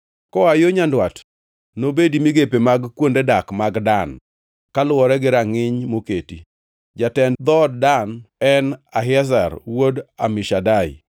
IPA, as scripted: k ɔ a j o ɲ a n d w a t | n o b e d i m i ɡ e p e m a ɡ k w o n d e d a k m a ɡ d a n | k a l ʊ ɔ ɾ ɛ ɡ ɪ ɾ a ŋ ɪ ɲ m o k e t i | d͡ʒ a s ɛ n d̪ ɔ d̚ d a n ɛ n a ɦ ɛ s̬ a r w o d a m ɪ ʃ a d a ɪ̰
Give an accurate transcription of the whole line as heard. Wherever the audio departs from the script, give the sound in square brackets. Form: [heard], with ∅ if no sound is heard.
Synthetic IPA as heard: k ɔ a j o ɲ a n d w a t | n o b e d i m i ɡ e p e m a ɡ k w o n d e d a k m a ɡ d a n | k a l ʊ ɔ ɾ ɛ ɡ ɪ ɾ a ŋ ɪ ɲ m o k e t i | d͡ʒ a [t] ɛ n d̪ ɔ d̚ d a n ɛ n a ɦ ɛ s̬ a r w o d a m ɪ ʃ a d a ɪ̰

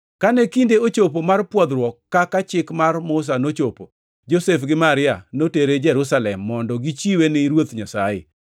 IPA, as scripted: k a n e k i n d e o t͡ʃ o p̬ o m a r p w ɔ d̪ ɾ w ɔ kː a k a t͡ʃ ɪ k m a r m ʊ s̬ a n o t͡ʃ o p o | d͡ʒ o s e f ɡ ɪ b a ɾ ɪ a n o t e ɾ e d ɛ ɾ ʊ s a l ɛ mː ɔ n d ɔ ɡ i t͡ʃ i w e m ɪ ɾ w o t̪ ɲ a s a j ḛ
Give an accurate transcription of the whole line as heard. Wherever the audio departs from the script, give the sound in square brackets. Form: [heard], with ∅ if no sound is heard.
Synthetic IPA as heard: k a n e k i n d e o t͡ʃ o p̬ o m a r p w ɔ d̪ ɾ w ɔ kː a k a t͡ʃ ɪ k m a r m ʊ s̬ a n o t͡ʃ o p o | d͡ʒ o s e f ɡ ɪ [m] a ɾ ɪ a n o t e ɾ e [d͡ʒ] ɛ ɾ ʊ s a l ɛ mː ɔ n d ɔ ɡ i t͡ʃ i w e [n] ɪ ɾ w o t̪ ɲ a s a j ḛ

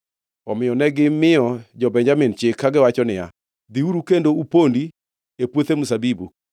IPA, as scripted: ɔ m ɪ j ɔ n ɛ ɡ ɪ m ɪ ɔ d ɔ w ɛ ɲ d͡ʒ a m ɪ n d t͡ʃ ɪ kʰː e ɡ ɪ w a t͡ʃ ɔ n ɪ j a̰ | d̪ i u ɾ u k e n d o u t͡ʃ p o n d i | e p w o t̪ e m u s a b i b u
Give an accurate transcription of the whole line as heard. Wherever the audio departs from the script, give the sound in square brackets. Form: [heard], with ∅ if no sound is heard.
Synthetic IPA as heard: ɔ m ɪ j ɔ n ɛ ɡ ɪ m ɪ ɔ [d͡ʒ] ɔ [b] ɛ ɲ d͡ʒ a m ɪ n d t͡ʃ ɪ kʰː [a] ɡ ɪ w a t͡ʃ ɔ n ɪ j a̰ | d̪ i u ɾ u k e n d o u [∅] p o n d i | e p w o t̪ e m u s a b i b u

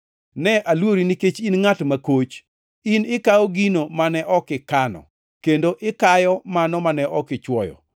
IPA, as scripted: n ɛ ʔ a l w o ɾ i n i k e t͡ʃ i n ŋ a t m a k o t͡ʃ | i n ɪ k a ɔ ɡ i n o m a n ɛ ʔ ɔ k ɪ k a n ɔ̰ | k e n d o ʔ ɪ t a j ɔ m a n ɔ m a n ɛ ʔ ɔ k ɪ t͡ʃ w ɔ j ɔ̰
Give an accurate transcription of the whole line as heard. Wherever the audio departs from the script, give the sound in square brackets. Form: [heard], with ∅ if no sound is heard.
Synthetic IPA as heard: n ɛ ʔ a l w o ɾ i n i k e t͡ʃ i n ŋ a t m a k o t͡ʃ | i n ɪ k a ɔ ɡ i n o m a n ɛ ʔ ɔ k ɪ k a n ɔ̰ | k e n d o ʔ ɪ [k] a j ɔ m a n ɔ m a n ɛ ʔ ɔ k ɪ t͡ʃ w ɔ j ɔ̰

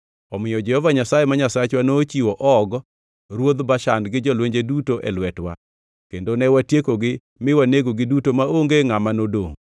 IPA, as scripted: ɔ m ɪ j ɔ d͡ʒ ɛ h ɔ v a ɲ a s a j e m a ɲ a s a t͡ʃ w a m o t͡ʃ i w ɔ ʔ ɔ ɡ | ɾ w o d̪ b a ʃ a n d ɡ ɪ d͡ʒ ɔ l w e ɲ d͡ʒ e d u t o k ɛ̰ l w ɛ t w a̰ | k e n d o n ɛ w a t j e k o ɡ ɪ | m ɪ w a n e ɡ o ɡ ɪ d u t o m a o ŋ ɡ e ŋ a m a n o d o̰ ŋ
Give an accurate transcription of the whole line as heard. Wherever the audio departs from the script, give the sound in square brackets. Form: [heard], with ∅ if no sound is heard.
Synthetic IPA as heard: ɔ m ɪ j ɔ d͡ʒ ɛ h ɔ v a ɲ a s a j e m a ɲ a s a t͡ʃ w a [n] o t͡ʃ i w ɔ ʔ ɔ ɡ | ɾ w o d̪ b a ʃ a n d ɡ ɪ d͡ʒ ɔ l w e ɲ d͡ʒ e d u t o [ʔ] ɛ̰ l w ɛ t w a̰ | k e n d o n ɛ w a t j e k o ɡ ɪ | m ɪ w a n e ɡ o ɡ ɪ d u t o m a o ŋ ɡ e ŋ a m a n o d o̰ ŋ

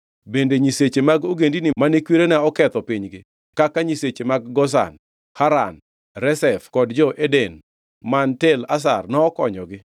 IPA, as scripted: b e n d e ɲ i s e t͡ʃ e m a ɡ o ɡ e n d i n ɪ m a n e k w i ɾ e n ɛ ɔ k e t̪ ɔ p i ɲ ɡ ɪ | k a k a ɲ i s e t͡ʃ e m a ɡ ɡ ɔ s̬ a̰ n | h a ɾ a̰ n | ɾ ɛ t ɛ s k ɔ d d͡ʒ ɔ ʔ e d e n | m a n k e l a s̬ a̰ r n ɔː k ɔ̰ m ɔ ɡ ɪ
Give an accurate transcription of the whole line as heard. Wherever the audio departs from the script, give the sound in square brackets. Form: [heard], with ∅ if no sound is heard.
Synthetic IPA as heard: b e n d e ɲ i s e t͡ʃ e m a ɡ o ɡ e n d i n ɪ m a n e k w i ɾ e n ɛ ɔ k [ɛ] t̪ ɔ p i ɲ ɡ ɪ | k a k a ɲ i s e t͡ʃ e m a ɡ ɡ ɔ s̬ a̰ n | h a ɾ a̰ n | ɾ ɛ [s] ɛ [f] k ɔ d d͡ʒ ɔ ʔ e d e n | m a n [t] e l a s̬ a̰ r n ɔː k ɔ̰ [ɲ] ɔ ɡ ɪ

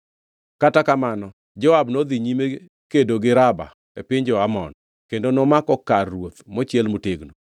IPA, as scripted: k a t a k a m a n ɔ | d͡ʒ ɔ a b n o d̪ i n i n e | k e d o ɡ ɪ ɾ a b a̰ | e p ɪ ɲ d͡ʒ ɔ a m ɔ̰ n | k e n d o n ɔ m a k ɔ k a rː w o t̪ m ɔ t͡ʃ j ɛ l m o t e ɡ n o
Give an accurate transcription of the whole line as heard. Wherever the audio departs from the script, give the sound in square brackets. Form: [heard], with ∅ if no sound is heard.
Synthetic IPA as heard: k a t a k a m a n ɔ | d͡ʒ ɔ a b n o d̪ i [ɲ] i [m] e | k e d o ɡ ɪ ɾ a b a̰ | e p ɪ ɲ d͡ʒ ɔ a m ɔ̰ n | k e n d o n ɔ m a k ɔ k a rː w o t̪ m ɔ t͡ʃ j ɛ l m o t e ɡ n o

